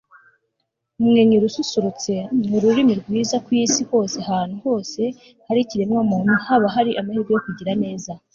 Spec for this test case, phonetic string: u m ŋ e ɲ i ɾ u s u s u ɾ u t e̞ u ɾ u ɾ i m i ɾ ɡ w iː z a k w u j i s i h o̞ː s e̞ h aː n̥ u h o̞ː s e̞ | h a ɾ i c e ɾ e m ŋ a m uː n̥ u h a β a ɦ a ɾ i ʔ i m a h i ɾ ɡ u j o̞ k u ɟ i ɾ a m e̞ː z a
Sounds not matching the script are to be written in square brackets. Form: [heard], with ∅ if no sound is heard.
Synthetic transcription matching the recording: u m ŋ e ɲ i ɾ u s u s u ɾ u [t͡s] e̞ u ɾ u ɾ i m i ɾ ɡ w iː z a k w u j i s i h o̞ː s e̞ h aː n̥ u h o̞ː s e̞ | h a ɾ i c [i] ɾ e m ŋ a m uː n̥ u h a β a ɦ a ɾ i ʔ [a] m a h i ɾ ɡ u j o̞ k u ɟ i ɾ a [n] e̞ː z a